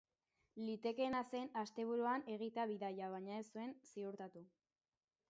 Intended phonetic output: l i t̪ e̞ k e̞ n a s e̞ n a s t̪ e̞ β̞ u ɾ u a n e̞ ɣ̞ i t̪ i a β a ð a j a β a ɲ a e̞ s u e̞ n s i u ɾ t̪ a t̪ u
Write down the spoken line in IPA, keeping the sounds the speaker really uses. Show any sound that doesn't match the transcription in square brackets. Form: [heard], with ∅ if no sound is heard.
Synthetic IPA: l i t̪ e̞ k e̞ n a s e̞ n a s t̪ e̞ β̞ u ɾ u a n e̞ ɣ̞ i t̪ [e] a β [i] ð a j a β a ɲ a e̞ s u e̞ n s i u ɾ t̪ a t̪ u